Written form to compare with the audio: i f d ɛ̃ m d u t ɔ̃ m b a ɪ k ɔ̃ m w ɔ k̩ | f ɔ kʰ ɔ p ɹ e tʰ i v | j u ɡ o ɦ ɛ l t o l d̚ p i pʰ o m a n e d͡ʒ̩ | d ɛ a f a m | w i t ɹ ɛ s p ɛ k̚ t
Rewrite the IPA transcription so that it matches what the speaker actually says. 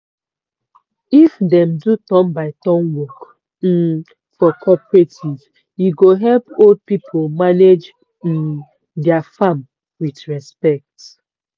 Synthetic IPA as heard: i f d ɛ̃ m d u t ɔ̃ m b a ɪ t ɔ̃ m w ɔ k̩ | f ɔ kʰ ɔ p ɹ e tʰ i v | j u ɡ o ɦ ɛ l p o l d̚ p i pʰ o m a n e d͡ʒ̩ | d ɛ a f a m | w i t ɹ ɛ s p ɛ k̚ t